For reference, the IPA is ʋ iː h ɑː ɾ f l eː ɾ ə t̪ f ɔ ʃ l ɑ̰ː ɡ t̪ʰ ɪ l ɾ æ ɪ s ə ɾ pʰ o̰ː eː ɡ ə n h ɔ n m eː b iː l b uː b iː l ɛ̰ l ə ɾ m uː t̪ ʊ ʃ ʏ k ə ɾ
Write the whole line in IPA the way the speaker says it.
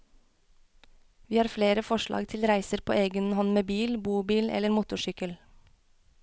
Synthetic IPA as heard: ʋ iː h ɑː ɾ f l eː ɾ ə f ɔ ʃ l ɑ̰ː ɡ t̪ʰ ɪ l ɾ æ ɪ s ə ɾ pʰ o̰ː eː ɡ ə n h ɔ n m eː b iː l b uː b iː l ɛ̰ l ə ɾ m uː t̪ ʊ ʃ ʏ k ə l